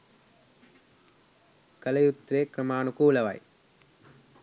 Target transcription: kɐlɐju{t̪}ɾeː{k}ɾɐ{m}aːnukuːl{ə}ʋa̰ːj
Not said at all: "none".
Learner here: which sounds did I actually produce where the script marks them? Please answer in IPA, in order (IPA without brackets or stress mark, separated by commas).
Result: t̪, k, m, ɐ